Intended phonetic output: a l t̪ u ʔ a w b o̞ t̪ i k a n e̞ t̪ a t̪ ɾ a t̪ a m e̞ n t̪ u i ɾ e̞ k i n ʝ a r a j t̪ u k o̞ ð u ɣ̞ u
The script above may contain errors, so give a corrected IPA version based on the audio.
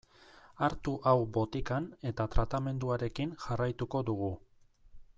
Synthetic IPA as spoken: a ɾ t̪ u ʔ a w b o̞ t̪ i k a n e̞ t̪ a t̪ ɾ a t̪ a m e̞ n d̪ u a ɾ e̞ k i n ʝ a r a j t̪ u k o̞ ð u ɣ̞ u